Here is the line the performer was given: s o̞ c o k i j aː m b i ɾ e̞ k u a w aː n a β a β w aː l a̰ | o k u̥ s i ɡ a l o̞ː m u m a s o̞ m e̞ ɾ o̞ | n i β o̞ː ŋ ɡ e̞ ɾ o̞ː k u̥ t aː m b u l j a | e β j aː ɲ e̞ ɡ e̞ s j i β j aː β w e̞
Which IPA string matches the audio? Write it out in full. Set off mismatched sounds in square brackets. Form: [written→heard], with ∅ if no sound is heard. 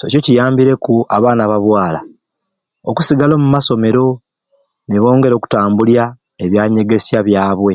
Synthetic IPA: s o̞ c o [k→c] i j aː m b i ɾ e̞ k u a [w→β] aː n a β a β w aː l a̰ | o k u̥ s i ɡ a l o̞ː m u m a s o̞ m e̞ ɾ o̞ | n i β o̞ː ŋ ɡ e̞ ɾ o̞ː k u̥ t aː m b u l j a | e β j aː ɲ e̞ ɡ e̞ s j [i→a] β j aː β w e̞

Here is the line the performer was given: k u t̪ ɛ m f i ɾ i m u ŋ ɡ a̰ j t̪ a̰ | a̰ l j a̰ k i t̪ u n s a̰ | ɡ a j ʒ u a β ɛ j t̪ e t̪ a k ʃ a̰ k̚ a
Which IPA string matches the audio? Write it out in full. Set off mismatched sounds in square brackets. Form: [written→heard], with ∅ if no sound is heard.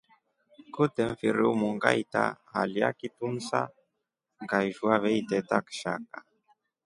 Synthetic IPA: k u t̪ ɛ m f i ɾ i m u ŋ ɡ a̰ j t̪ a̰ | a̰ l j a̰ k i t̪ u n s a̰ | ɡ a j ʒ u a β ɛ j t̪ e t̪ a k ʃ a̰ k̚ a

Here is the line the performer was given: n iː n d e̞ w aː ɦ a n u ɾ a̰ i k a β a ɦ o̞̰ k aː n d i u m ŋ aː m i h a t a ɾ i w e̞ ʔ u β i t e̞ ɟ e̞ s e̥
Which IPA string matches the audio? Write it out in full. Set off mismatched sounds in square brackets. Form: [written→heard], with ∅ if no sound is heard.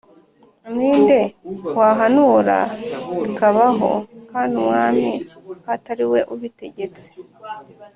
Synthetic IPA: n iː n d e̞ w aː ɦ a n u ɾ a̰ i k a β a ɦ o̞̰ k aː n d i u m ŋ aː m i h a t a ɾ i w e̞ ʔ u β i t e̞ ɟ e̞ [s→t͡s] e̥

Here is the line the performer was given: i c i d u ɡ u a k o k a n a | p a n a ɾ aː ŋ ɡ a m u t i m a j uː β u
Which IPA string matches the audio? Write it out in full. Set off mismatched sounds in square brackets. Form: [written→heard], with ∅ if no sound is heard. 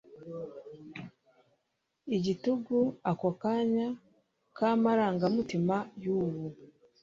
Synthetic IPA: i [c→ɟ] i [d→t] u ɡ u a k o k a [n→ɲ] a | [p→k] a [n→m] a ɾ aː ŋ ɡ a m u t i m a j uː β u

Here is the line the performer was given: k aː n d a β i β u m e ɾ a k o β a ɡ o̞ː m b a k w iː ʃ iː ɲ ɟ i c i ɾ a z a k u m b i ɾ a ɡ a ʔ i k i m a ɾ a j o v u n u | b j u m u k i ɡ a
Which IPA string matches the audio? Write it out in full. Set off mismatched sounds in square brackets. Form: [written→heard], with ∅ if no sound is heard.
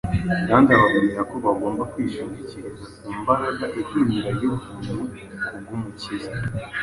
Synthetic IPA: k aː n d a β [i→a] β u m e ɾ a k o β a ɡ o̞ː m b a k w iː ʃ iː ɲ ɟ i c i ɾ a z a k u m b [i→a] ɾ a ɡ a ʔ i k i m [a→i] ɾ a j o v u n u | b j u m u [k→c] i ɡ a

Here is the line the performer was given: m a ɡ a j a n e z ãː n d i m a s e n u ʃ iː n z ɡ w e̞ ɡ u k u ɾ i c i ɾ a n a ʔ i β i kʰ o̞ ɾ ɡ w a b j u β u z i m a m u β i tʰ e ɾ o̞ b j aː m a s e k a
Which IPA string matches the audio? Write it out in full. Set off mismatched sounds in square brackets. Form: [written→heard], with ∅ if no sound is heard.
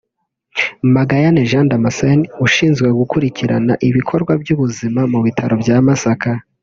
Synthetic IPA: m a ɡ a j a n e [z→ʒ] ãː n d [i→a] m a s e n u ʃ iː n z ɡ w e̞ ɡ u k u ɾ i c i ɾ a n a ʔ i β i kʰ o̞ ɾ ɡ w a b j u β u z i m a m u β i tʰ [e→a] ɾ o̞ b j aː m a s [e→a] k a

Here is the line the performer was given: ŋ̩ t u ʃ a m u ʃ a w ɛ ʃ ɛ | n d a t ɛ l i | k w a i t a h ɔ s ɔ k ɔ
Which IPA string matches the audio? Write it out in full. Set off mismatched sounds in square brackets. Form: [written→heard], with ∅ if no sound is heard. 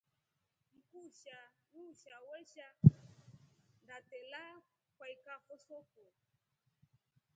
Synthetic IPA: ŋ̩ [t→k] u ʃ a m u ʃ a w ɛ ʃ [ɛ→a] | n d a t ɛ l [i→a] | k w a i [t→k] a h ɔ s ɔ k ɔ

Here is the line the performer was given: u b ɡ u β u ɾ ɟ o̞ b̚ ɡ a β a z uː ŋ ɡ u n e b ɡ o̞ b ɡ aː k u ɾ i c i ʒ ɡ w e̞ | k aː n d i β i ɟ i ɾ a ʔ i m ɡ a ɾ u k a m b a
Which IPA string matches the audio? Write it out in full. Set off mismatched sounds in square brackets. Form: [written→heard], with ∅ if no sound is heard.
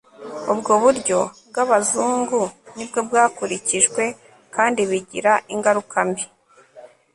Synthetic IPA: u b ɡ [u→o] β u ɾ ɟ o̞ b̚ ɡ a β a z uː ŋ ɡ u n [e→i] b ɡ o̞ b ɡ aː k u ɾ i c i ʒ ɡ w e̞ | k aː n d i β i ɟ i ɾ a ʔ i [m→ŋ] ɡ a ɾ u k a m b [a→i]

